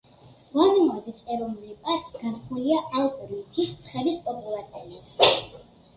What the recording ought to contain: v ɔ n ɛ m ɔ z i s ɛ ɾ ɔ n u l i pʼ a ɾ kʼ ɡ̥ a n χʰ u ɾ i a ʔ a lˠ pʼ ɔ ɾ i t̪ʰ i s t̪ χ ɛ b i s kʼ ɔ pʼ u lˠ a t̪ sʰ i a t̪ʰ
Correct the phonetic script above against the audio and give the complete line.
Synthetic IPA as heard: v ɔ n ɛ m ɔ z i s ɛ ɾ ɔ n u l i pʼ a ɾ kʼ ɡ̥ a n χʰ u l i a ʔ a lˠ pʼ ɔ ɾ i t̪ʰ i s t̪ χ ɛ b i s pʼ ɔ pʼ u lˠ a t̪ sʰ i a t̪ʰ